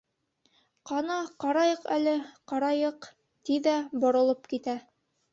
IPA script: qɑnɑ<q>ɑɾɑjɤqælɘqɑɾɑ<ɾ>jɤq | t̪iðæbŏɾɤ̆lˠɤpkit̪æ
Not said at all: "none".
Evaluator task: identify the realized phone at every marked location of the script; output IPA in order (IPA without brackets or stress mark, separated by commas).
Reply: q, none